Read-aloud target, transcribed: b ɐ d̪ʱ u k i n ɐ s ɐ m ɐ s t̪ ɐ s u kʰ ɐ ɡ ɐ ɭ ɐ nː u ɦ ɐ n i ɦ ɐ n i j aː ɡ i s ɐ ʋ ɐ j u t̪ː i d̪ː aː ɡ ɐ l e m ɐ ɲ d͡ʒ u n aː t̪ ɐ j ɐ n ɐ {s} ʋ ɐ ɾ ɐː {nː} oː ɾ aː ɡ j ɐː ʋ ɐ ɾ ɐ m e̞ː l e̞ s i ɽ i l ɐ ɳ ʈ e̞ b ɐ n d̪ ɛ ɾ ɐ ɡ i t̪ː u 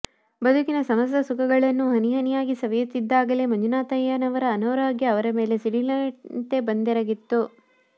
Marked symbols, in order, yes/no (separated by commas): no, no